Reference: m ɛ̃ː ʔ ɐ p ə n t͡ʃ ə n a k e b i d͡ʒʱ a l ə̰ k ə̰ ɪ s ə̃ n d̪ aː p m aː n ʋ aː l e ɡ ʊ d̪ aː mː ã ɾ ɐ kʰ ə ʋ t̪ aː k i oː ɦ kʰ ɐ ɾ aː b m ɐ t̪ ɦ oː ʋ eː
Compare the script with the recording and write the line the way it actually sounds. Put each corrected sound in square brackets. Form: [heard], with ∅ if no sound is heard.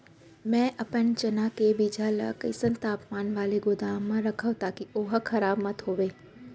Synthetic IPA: m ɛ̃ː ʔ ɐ p ə n t͡ʃ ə n a k e b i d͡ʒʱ a l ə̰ k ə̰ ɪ s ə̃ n [t̪] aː p m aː n ʋ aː l e ɡ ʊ d̪ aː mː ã ɾ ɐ kʰ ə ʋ t̪ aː k i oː ɦ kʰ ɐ ɾ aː b m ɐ t̪ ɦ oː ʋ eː